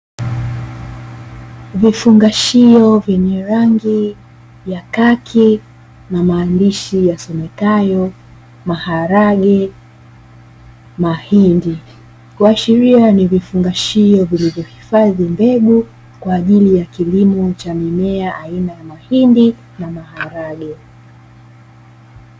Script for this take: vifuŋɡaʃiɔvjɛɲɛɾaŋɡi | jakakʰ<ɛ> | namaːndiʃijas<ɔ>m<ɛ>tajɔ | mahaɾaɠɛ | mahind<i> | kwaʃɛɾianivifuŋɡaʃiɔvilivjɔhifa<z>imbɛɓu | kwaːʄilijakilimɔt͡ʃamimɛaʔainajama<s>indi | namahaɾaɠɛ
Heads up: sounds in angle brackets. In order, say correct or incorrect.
incorrect: i, correct, correct, correct, incorrect: ð, incorrect: h

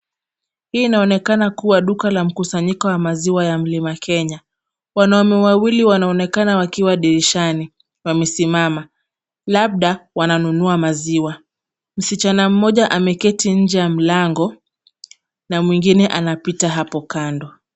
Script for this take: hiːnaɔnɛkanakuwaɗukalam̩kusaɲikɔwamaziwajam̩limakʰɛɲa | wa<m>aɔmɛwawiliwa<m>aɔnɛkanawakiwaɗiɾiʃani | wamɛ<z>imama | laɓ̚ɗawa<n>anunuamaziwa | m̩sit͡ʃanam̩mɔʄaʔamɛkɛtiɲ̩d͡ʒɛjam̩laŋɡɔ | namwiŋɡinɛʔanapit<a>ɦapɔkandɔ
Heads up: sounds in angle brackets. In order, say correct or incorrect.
incorrect: n, incorrect: n, incorrect: s, correct, correct

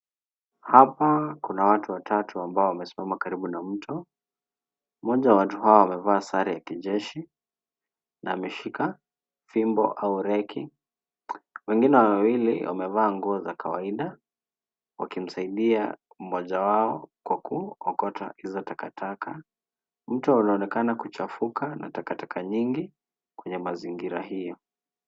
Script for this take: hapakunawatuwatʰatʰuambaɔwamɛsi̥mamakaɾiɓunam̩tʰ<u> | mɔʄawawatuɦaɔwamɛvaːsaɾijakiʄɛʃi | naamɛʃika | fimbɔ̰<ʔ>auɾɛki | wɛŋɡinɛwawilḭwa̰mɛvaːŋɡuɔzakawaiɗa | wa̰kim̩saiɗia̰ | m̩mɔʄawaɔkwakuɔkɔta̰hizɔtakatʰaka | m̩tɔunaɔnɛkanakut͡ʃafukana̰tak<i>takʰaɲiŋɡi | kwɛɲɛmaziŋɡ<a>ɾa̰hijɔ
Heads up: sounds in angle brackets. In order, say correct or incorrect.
incorrect: ɔ, correct, incorrect: a, incorrect: i

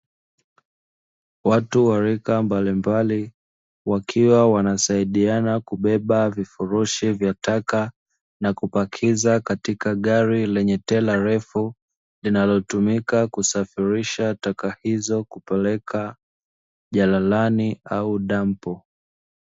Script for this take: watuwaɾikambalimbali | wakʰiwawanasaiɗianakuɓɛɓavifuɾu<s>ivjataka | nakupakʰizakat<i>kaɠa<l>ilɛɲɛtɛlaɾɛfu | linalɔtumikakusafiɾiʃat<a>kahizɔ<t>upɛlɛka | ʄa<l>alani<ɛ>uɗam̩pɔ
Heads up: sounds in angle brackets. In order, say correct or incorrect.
incorrect: ʃ, correct, incorrect: ɾ, correct, incorrect: k, correct, incorrect: a

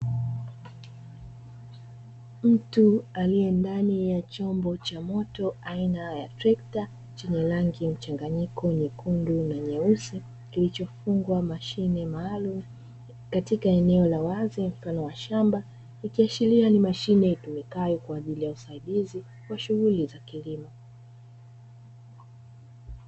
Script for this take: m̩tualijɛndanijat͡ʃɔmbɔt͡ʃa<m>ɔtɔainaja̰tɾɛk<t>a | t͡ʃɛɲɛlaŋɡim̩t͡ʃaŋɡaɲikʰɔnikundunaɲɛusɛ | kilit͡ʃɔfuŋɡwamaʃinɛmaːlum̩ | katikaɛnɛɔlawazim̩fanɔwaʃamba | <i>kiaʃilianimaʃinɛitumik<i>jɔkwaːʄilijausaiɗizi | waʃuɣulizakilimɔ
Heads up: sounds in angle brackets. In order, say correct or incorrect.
correct, correct, correct, incorrect: a

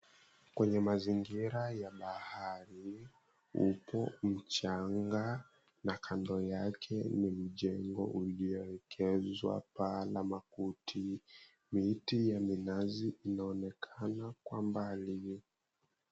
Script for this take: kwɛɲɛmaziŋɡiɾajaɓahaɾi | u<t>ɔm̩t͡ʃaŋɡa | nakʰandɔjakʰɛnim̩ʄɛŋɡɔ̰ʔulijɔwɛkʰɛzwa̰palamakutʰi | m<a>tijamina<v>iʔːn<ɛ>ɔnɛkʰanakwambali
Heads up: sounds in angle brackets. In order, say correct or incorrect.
incorrect: p, incorrect: i, incorrect: z, incorrect: a

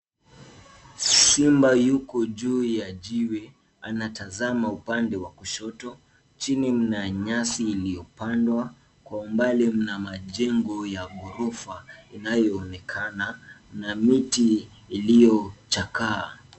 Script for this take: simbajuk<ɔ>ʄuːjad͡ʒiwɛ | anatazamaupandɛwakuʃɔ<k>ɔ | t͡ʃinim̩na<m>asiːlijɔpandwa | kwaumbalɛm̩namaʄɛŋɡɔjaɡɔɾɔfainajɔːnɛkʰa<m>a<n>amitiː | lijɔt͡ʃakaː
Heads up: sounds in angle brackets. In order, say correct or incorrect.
correct, incorrect: t, incorrect: ɲ, incorrect: n, correct

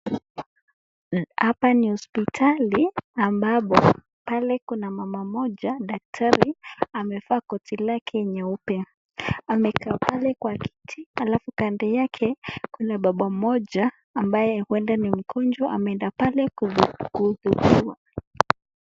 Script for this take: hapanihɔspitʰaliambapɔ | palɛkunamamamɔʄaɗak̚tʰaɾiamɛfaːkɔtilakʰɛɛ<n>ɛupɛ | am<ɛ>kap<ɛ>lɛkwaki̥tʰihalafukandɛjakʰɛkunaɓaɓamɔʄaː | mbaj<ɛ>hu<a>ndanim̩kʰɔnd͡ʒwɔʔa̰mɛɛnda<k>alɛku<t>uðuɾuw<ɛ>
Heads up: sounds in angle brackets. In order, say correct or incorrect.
incorrect: ɲ, correct, incorrect: a, correct, incorrect: ɛ, incorrect: p, incorrect: k, incorrect: a

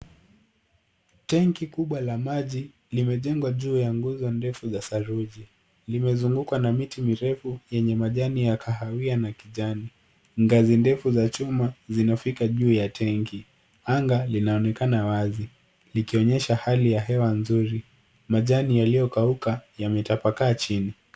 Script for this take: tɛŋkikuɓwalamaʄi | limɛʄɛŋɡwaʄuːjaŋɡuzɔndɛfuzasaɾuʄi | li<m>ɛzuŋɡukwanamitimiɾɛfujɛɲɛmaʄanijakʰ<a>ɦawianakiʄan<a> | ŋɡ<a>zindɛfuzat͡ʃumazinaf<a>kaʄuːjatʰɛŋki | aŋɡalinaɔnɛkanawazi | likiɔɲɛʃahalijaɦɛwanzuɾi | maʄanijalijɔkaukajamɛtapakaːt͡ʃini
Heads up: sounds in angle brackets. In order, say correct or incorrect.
correct, correct, incorrect: i, correct, incorrect: i

